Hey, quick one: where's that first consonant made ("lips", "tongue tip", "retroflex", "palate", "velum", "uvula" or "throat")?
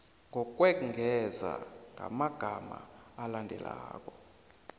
velum